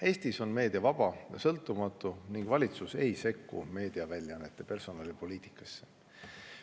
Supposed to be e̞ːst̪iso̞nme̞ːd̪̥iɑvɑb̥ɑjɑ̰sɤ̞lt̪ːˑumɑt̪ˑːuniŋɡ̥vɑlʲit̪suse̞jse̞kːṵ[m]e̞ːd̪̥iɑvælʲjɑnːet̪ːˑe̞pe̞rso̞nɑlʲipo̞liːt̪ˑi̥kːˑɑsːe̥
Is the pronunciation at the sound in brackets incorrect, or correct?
correct